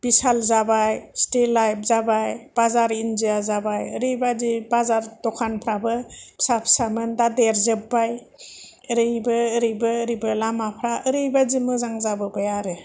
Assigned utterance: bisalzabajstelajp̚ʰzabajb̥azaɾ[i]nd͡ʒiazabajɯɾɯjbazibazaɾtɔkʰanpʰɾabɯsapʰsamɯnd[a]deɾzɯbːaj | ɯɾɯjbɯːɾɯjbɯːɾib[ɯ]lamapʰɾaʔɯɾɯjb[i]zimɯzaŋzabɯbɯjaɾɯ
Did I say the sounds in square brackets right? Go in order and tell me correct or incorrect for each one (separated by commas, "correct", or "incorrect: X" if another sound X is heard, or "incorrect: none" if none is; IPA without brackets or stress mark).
correct, correct, correct, incorrect: a